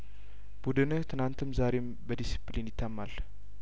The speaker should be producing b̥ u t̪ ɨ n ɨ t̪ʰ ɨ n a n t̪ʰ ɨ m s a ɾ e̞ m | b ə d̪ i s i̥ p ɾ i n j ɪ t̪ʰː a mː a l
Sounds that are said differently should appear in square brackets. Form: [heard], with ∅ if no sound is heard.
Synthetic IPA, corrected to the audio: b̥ u [d̪] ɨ n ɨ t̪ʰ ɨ n a n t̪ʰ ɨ m [z] a ɾ e̞ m | b ə d̪ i s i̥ p [l] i n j ɪ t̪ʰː a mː a l